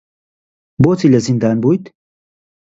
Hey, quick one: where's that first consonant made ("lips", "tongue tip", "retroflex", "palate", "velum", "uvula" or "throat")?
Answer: lips